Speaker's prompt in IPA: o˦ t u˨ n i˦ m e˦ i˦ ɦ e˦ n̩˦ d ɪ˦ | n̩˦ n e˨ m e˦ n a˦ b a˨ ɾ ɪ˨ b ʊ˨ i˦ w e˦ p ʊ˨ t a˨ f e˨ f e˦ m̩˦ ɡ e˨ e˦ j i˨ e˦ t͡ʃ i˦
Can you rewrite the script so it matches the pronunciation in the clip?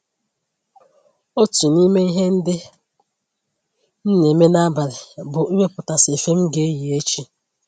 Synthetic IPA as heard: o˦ t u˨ n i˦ m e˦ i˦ ɦ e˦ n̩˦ d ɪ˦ | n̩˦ n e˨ m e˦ n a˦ b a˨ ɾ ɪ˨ b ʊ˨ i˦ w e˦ p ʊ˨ t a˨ s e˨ f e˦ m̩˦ ɡ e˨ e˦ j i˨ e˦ t͡ʃ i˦

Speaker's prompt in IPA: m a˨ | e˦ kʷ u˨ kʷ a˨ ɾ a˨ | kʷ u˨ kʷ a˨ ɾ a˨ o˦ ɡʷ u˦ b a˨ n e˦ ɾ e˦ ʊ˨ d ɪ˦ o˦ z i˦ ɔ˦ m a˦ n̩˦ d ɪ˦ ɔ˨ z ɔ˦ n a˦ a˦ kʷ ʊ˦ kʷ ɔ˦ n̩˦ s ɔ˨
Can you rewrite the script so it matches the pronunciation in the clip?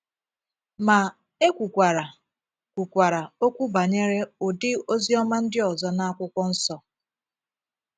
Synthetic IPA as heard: m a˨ | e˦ kʷ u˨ kʷ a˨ ɾ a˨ | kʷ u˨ kʷ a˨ ɾ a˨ o˦ kʷ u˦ b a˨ ɲ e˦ ɾ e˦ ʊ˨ d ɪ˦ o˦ z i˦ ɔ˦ m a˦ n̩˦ d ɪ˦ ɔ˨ z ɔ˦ n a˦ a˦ kʷ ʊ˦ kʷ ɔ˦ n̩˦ s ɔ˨

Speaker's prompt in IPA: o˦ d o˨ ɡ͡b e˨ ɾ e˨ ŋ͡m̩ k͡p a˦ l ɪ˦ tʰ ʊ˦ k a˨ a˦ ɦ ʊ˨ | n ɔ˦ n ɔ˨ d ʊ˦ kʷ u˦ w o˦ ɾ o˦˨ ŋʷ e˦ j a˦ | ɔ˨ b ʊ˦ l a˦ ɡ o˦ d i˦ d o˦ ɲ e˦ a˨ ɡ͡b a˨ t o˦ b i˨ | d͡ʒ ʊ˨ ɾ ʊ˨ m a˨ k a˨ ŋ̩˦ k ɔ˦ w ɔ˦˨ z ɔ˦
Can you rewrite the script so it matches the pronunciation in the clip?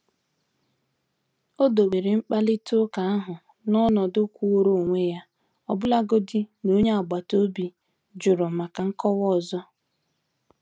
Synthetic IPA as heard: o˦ d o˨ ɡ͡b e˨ ɾ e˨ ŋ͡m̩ k͡p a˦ l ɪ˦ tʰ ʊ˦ k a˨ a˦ ɦ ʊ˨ | n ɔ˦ n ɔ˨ d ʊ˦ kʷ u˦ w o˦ ɾ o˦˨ ŋʷ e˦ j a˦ | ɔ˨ b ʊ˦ l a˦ ɡ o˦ d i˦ n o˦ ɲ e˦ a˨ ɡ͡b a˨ t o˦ b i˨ | d͡ʒ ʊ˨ ɾ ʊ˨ m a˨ k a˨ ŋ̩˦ k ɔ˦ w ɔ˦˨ z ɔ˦

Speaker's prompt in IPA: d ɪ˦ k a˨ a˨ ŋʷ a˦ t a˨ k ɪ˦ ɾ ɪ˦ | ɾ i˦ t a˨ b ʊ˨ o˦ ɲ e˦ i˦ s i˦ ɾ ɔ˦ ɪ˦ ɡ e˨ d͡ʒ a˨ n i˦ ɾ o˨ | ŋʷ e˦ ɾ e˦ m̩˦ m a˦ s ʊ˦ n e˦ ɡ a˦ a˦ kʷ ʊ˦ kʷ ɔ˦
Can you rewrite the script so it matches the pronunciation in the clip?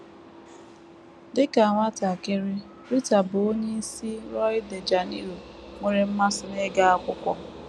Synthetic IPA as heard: d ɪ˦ k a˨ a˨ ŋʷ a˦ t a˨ k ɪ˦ ɾ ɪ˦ | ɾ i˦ t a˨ b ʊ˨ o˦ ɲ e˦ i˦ s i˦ ɾ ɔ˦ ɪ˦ d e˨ d͡ʒ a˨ n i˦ ɾ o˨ | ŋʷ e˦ ɾ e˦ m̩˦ m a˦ s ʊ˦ n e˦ ɡ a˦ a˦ kʷ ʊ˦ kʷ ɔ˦

